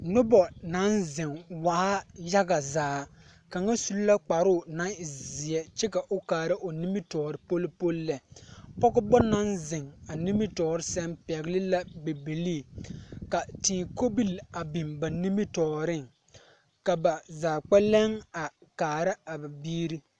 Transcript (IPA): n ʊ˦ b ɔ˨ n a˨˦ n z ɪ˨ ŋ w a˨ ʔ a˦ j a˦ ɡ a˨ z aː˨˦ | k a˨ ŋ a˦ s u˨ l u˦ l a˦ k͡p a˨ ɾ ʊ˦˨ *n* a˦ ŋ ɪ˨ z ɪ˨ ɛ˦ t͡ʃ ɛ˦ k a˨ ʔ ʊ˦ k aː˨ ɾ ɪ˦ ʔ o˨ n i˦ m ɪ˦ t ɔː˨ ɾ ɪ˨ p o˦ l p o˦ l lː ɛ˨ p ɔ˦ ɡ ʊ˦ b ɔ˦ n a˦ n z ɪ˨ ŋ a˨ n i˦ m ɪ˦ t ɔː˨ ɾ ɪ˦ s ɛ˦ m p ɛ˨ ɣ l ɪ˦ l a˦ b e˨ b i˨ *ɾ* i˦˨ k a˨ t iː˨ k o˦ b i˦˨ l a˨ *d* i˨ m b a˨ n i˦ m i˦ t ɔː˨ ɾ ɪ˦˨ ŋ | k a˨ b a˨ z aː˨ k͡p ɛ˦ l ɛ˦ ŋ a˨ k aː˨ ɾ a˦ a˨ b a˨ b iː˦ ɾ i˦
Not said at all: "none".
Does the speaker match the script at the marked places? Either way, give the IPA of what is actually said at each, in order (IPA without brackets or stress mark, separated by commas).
n, l, b